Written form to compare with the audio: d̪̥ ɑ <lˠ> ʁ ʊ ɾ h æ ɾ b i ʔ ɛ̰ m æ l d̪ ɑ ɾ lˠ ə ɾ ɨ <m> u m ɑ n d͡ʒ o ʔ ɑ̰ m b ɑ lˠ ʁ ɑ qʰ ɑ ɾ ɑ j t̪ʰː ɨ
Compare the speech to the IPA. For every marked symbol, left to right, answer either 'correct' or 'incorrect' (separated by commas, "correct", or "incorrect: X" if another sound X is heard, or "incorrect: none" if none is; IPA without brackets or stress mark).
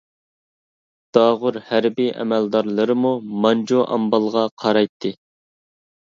incorrect: none, correct